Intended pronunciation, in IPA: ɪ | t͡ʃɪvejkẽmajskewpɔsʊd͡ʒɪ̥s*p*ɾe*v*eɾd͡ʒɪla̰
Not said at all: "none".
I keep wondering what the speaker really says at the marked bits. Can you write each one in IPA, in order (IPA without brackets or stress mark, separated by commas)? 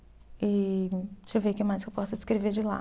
k, v